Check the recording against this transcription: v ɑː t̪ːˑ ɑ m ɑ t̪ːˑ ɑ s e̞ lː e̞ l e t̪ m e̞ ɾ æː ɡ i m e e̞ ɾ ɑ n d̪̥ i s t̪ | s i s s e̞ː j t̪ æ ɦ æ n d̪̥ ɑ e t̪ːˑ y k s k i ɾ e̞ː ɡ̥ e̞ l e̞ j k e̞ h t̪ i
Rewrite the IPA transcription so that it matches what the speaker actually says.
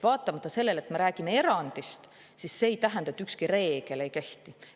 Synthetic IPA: v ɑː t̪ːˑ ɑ m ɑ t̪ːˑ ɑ s e̞ lː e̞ l e t̪ m e̞ ɾ æː ɡ i m e e̞ ɾ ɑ n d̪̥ i s t̪ | s i s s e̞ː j t̪ æ ɦ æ n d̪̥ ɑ e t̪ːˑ y k s k i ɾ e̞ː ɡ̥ e̞ l e̞ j k e̞ h t̪ i